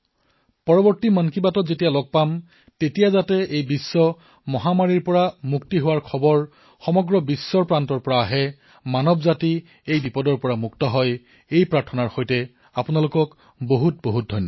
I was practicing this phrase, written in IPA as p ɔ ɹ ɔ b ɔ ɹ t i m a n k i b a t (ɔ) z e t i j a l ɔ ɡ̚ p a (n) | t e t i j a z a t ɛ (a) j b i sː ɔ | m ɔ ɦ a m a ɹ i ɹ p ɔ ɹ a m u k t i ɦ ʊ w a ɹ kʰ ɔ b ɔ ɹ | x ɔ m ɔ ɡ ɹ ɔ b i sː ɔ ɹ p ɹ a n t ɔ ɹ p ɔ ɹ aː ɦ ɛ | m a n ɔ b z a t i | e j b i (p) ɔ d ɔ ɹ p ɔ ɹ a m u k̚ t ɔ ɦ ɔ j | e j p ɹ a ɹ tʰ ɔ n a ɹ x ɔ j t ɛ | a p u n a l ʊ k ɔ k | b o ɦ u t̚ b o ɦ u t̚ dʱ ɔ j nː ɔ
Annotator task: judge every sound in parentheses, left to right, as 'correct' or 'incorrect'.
correct, incorrect: m, incorrect: e, correct

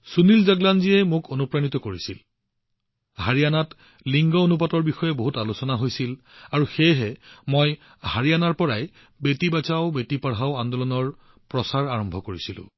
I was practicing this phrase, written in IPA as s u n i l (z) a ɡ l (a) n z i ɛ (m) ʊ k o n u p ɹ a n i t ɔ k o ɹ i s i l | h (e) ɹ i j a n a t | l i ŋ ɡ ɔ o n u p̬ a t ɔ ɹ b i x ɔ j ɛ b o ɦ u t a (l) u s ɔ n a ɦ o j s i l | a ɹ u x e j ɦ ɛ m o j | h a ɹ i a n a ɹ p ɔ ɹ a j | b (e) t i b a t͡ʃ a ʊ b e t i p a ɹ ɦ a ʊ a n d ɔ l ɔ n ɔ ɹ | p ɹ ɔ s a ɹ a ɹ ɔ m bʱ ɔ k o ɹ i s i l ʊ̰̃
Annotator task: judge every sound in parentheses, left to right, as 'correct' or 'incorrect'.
correct, correct, correct, incorrect: a, correct, correct

